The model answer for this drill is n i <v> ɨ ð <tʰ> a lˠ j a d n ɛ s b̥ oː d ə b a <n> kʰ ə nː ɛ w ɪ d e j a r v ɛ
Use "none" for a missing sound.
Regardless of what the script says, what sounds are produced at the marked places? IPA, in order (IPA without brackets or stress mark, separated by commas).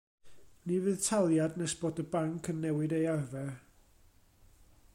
v, tʰ, ŋ